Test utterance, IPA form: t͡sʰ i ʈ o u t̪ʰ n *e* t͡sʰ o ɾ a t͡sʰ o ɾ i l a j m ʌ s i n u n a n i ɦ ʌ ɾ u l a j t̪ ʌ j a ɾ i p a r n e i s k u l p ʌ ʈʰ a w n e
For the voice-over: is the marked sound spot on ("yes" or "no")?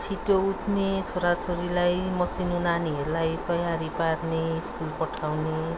yes